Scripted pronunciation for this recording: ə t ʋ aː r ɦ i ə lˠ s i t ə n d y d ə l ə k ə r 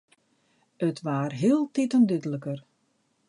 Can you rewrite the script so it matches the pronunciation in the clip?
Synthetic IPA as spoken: ə t ʋ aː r ɦ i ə lˠ t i t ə n d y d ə l ə k ə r